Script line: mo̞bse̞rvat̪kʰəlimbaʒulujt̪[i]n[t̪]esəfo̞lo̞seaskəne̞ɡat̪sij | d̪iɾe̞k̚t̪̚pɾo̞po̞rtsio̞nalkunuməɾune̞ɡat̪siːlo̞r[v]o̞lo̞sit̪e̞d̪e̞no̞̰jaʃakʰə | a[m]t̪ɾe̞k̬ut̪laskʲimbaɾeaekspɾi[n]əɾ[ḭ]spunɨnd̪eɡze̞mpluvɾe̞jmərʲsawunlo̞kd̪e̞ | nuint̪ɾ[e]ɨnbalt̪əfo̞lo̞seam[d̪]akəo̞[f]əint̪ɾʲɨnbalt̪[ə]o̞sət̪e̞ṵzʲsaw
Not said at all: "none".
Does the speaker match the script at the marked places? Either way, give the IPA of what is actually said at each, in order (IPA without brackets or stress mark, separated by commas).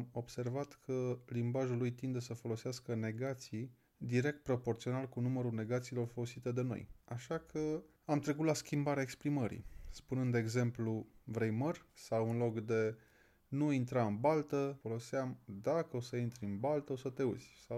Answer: i, d̪, f, m, m, ḭ, a, d̪, s, ə